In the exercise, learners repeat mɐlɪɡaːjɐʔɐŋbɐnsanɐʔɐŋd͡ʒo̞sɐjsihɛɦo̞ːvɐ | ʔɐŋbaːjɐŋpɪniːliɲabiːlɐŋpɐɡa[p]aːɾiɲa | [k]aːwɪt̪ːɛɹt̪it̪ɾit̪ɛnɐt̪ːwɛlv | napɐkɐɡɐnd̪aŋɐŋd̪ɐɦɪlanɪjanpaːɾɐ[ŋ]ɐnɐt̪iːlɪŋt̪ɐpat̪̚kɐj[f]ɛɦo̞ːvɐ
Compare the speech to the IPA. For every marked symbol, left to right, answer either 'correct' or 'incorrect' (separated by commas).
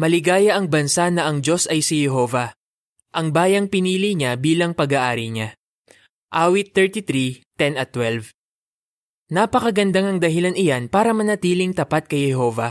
incorrect, incorrect, incorrect, incorrect